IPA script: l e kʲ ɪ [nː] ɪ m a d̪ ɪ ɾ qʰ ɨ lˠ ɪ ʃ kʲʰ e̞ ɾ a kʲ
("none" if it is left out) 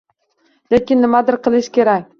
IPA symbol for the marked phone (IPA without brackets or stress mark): nː